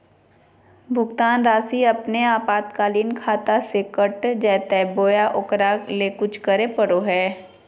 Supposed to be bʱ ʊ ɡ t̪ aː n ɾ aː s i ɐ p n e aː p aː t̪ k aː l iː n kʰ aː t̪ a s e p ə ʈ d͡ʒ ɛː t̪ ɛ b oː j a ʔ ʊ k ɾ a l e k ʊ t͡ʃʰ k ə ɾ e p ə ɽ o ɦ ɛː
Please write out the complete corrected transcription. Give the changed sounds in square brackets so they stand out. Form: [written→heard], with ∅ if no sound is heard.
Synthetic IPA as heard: bʱ ʊ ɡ t̪ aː n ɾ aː s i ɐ p n e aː p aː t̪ k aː l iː n kʰ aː t̪ a s e [p→k] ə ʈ d͡ʒ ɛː t̪ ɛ b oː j a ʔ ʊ k ɾ a l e k ʊ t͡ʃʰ k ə ɾ e p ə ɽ o ɦ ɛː